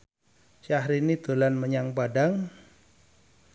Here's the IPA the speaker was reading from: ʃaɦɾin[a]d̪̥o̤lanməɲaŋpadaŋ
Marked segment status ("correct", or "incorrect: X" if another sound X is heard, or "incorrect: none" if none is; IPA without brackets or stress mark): incorrect: i